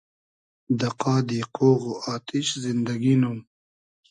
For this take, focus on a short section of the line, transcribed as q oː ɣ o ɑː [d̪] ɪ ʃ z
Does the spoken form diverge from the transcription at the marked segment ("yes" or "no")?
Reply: yes